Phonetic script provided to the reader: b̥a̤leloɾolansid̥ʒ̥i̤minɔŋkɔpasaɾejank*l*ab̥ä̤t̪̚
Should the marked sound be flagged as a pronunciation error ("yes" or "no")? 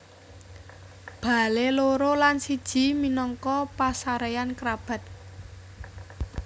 yes